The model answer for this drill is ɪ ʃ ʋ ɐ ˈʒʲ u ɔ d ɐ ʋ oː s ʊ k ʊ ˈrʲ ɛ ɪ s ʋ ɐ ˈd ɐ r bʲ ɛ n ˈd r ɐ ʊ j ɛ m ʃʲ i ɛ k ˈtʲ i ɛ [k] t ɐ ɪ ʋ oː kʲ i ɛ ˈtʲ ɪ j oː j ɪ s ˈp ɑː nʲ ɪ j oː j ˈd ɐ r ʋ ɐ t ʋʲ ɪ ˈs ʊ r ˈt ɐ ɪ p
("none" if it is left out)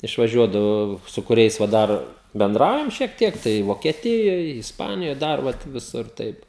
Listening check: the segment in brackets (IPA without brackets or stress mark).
k